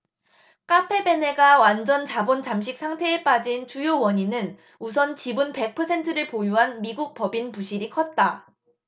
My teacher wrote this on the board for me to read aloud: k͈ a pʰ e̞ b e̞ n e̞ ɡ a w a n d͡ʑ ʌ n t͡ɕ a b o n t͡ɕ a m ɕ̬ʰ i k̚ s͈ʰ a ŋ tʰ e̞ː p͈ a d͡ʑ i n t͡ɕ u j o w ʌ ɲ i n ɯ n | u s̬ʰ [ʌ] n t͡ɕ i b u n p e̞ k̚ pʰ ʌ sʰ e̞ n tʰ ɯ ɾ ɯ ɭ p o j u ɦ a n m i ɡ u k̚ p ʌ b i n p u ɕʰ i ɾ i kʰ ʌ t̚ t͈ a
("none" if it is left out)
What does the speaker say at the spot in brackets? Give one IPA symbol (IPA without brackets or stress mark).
ʌ